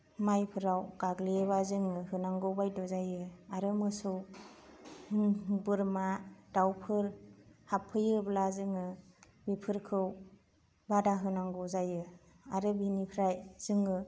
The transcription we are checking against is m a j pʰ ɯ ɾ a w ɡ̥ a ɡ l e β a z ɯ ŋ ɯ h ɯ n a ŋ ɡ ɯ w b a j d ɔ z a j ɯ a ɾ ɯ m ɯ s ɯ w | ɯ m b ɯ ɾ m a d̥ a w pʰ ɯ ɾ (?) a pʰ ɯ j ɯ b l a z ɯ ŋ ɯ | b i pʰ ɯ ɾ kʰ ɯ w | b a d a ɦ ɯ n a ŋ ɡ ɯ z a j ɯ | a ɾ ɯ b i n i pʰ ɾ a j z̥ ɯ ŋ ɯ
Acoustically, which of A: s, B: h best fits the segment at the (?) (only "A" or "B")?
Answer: B